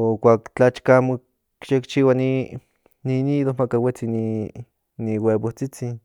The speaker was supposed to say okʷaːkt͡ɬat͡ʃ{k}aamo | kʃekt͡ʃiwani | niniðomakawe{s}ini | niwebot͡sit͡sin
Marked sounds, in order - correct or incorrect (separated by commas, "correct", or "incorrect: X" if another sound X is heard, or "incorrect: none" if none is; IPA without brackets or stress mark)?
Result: correct, incorrect: t͡s